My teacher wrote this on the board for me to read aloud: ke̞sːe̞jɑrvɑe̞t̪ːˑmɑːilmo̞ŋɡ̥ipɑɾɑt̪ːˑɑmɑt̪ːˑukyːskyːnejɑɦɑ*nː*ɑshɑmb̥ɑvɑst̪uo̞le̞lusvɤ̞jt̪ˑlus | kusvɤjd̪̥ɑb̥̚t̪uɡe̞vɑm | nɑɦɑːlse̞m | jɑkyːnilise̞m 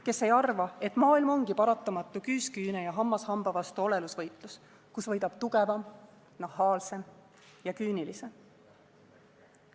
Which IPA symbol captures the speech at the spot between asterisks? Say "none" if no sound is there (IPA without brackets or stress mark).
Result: mː